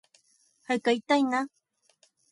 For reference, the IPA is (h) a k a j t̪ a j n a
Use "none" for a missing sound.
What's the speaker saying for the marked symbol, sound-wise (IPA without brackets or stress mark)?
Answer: h